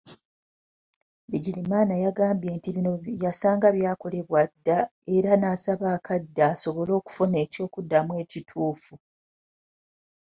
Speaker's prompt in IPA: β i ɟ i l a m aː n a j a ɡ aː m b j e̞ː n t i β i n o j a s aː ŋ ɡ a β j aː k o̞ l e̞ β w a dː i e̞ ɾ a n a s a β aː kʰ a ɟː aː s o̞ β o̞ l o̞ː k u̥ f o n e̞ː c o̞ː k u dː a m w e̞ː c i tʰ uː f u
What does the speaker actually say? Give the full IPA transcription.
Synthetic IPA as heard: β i ɟ i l i m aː n a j a ɡ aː m b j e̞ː n t i β i n o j a s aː ŋ ɡ a β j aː k o̞ l e̞ β w a dː a e̞ ɾ a n a s a β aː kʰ a dː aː s o̞ β o̞ l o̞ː k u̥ f o n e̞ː c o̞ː k u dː a m w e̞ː c i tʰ uː f u